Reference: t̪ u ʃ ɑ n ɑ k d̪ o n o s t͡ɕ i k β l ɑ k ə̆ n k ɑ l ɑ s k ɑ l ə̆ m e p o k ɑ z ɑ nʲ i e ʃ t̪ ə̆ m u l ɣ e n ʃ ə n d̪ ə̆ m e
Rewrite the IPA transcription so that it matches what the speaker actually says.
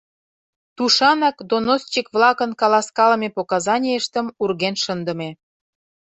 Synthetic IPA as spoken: t̪ u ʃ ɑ n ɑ k d̪ o n o s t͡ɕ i k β l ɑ k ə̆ n k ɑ l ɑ s k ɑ l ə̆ m e p o k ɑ z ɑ nʲ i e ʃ t̪ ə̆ m u r ɣ e n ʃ ə n d̪ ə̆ m e